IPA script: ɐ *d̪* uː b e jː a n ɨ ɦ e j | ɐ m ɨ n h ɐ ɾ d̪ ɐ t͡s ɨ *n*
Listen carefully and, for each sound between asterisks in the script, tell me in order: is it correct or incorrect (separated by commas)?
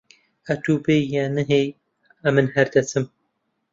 incorrect, incorrect